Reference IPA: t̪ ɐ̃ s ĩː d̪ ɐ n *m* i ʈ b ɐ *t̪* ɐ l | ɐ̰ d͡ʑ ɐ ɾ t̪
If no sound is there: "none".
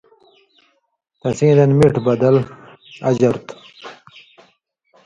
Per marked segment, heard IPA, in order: m, d̪

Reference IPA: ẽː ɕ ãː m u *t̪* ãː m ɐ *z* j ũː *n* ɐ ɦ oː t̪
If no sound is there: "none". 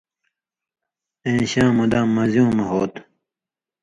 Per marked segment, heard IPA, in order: d̪, z, m

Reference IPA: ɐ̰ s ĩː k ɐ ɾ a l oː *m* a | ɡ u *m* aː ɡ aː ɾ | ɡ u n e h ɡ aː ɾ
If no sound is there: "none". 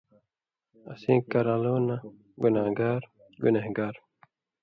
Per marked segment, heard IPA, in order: n, n

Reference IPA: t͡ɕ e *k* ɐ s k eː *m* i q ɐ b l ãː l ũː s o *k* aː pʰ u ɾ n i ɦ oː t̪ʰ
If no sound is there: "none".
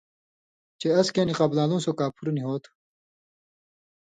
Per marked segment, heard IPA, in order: none, n, k

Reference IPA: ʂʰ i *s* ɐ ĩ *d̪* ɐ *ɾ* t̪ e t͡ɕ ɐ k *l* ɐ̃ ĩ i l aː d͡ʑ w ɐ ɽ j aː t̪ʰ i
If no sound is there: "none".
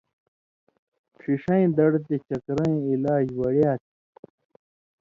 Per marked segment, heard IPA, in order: ʂ, d̪, ɽ, ɾ

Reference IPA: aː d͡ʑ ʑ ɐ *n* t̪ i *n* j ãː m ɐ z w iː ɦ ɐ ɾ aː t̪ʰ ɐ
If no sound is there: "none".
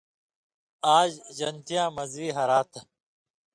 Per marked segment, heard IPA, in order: n, none

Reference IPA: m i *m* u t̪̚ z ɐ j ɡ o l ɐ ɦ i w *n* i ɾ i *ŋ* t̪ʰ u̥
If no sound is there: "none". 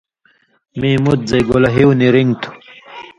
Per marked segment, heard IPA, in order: m, n, ŋ

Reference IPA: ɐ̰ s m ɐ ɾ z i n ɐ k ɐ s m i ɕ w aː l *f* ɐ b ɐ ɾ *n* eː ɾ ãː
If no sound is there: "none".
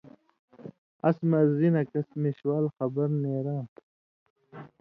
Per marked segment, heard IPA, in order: x, n

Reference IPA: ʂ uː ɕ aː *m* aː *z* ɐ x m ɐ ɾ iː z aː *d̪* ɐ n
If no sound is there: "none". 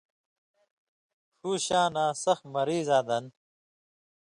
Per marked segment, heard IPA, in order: n, s, d̪

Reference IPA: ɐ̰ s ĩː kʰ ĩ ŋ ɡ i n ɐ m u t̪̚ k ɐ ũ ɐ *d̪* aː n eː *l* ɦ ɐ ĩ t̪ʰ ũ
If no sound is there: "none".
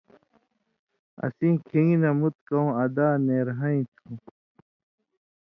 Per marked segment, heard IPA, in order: d̪, ɾ

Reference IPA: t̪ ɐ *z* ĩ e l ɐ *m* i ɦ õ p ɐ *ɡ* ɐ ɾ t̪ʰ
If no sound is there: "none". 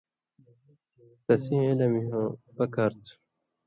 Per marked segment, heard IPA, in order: s, m, k

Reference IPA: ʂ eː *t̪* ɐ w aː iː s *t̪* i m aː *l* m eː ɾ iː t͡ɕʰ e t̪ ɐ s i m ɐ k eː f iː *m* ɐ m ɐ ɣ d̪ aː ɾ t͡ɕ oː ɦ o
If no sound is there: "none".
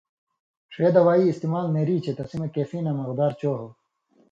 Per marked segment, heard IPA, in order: d̪, t̪, l, n

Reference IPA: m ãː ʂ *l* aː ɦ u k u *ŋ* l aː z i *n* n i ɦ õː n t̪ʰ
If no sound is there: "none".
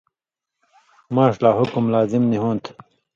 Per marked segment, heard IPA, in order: l, m, m

